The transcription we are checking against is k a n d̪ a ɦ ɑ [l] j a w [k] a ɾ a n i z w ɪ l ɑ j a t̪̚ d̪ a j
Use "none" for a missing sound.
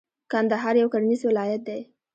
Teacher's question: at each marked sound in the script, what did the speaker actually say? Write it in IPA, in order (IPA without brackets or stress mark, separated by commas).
ɾ, k